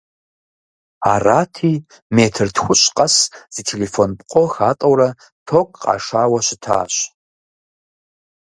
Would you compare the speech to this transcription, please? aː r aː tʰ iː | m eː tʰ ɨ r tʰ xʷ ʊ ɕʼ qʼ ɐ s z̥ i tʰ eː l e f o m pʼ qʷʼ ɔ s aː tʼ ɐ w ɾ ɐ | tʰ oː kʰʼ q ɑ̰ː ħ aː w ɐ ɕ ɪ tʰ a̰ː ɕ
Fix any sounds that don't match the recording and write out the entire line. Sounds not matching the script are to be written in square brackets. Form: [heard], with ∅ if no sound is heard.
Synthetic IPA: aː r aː tʰ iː | m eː tʰ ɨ r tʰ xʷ ʊ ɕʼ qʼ ɐ s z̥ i tʰ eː l e f o [n] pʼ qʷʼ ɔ [x] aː tʼ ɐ w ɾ ɐ | tʰ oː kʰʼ q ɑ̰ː [ʂ] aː w ɐ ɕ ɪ tʰ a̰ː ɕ

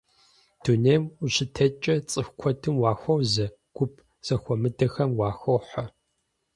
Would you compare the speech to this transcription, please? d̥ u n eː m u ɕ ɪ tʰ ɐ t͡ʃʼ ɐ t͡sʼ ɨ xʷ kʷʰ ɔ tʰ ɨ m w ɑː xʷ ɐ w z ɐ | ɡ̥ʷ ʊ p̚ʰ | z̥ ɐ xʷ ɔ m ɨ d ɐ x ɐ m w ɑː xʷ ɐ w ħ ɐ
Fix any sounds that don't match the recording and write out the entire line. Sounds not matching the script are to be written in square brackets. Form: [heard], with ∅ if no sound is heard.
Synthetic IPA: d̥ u n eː m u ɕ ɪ tʰ ɐ t͡ʃʼ ɐ t͡sʼ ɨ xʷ kʷʰ ɔ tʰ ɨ m w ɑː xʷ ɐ w z ɐ | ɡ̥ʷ ʊ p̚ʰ | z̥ ɐ xʷ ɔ m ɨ d ɐ x ɐ m w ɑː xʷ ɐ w ħ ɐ

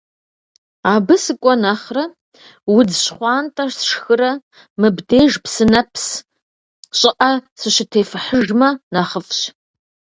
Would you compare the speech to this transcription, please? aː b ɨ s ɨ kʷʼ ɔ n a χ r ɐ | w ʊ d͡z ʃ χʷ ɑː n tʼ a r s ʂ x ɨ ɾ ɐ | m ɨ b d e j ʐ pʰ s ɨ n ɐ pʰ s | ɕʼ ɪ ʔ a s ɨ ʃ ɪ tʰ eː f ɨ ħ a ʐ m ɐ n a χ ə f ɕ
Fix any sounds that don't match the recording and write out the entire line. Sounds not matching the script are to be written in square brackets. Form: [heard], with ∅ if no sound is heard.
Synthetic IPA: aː b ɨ s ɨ kʷʼ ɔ n a χ r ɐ | w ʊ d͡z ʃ χʷ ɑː n tʼ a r s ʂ x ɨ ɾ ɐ | m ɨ b d e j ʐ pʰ s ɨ n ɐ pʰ s | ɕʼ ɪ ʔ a s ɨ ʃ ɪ tʰ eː f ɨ ħ [ə] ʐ m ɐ n a χ ə f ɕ

